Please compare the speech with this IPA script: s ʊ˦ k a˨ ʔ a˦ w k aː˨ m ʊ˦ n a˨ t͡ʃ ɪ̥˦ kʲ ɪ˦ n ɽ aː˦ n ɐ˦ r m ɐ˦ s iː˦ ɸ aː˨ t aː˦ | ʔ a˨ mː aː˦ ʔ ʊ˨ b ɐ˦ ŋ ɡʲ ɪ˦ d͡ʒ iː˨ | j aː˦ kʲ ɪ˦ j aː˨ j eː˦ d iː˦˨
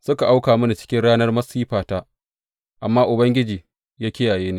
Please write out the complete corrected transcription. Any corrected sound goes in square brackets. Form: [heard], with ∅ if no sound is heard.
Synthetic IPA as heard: s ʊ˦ k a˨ ʔ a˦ w k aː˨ m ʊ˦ n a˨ t͡ʃ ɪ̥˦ kʲ ɪ˦ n ɽ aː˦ n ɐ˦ r m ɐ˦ s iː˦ ɸ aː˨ t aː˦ | ʔ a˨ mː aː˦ ʔ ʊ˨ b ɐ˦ ŋ ɡʲ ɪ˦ d͡ʒ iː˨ | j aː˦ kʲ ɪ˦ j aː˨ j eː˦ [n] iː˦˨